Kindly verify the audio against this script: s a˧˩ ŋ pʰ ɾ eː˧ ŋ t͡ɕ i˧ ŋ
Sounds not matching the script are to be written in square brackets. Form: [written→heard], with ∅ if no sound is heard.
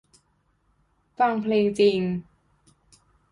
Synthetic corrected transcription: [s→f] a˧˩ ŋ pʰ [ɾ→l] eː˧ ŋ t͡ɕ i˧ ŋ